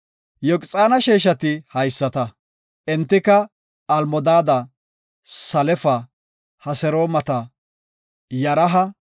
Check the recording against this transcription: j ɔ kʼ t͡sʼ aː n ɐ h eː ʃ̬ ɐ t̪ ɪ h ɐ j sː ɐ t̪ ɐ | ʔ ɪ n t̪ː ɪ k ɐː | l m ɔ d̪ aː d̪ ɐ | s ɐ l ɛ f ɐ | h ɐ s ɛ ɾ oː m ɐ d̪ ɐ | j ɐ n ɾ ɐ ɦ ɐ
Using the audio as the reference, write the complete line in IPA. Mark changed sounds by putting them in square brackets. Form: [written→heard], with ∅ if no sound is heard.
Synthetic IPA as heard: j ɔ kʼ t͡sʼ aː n ɐ [h→ʃ] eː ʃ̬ ɐ t̪ ɪ h ɐ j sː ɐ t̪ ɐ | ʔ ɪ n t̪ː ɪ k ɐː | l m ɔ d̪ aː d̪ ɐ | s ɐ l ɛ f ɐ | h ɐ s ɛ ɾ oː m ɐ [d̪→t̪] ɐ | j ɐ [n→∅] ɾ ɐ ɦ ɐ